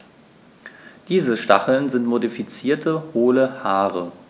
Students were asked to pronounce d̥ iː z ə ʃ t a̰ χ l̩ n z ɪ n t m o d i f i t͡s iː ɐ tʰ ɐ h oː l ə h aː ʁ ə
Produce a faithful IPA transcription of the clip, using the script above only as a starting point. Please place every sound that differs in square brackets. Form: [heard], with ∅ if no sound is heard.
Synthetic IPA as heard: d̥ iː z ə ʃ t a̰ χ l̩ n z ɪ n t m o d i f i t͡s iː ɐ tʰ [ə] h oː l ə h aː ʁ ə